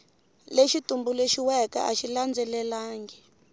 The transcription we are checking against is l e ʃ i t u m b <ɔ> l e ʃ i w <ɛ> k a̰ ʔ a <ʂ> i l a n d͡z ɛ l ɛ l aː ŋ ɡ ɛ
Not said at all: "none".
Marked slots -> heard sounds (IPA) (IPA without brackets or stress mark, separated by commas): u, ɛ, ʃ